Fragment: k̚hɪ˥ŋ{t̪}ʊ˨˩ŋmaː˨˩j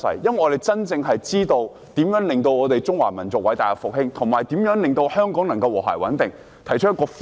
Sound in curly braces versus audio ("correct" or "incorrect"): incorrect